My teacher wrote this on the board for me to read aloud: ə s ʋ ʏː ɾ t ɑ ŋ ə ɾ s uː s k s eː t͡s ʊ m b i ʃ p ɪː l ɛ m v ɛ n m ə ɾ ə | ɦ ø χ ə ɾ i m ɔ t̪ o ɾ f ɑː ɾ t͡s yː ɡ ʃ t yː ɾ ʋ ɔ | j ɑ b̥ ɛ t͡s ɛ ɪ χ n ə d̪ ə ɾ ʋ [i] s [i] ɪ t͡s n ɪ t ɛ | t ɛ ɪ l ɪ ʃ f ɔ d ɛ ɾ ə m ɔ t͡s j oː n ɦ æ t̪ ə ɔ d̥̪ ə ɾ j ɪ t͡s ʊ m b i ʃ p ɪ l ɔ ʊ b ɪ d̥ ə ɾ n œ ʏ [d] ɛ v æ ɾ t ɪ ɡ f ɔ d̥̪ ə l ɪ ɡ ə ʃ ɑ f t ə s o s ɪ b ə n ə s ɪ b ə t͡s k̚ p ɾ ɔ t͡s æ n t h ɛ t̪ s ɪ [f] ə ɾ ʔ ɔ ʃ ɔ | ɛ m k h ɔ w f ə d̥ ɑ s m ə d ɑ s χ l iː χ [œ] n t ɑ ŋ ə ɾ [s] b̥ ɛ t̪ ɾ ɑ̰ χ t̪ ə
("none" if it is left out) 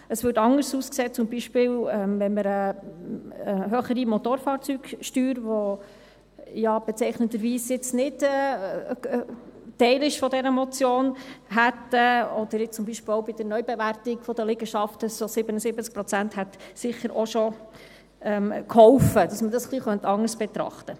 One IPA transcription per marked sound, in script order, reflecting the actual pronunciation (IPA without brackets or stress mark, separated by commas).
iː, j, b, χ, œ, s